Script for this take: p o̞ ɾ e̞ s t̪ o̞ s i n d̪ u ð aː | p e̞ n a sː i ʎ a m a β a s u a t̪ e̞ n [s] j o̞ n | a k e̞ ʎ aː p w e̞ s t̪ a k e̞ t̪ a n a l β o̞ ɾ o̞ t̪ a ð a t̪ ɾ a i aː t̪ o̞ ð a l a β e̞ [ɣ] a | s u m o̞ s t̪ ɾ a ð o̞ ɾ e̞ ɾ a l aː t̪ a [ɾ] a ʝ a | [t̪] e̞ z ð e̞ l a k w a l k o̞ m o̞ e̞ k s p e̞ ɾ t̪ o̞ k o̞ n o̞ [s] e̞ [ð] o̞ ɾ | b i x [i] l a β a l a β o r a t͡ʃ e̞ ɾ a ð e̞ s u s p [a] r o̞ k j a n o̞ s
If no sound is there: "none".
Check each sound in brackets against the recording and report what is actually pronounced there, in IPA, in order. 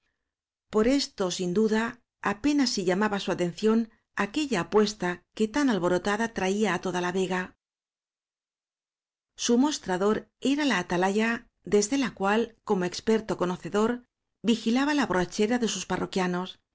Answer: θ, ɣ, l, d̪, θ, ð, i, a

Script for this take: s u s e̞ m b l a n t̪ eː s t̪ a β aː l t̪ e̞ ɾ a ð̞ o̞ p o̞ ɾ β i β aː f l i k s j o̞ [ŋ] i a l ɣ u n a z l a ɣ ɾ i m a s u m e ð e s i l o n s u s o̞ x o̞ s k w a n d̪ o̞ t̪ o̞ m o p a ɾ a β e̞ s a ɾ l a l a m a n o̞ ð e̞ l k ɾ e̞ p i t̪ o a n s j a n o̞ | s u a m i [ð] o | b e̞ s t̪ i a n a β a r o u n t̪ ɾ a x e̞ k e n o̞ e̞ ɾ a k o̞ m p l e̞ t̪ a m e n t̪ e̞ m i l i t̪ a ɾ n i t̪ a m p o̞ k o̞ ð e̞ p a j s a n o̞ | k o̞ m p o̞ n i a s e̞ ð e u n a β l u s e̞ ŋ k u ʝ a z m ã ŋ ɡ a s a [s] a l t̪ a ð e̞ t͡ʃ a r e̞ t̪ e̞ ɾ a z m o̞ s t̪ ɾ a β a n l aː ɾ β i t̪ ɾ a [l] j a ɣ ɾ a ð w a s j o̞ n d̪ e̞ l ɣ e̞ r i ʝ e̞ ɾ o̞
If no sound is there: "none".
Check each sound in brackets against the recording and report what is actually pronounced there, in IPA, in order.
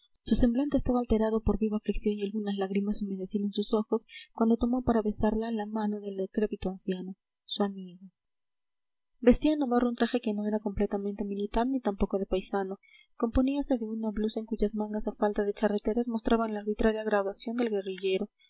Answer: n, ɣ, f, ɾ

